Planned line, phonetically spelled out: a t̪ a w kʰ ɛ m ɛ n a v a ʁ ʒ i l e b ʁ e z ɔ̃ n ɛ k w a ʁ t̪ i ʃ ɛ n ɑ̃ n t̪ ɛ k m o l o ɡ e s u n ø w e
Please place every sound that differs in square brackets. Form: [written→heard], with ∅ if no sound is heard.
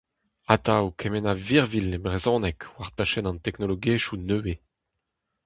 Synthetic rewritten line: a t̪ a w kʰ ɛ m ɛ n a v [a→i] ʁ [ʒ→v] i l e b ʁ e z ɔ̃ n ɛ k w a ʁ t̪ [i→a] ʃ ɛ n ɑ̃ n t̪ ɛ k [m→n] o l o ɡ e [s→ʃ] u n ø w e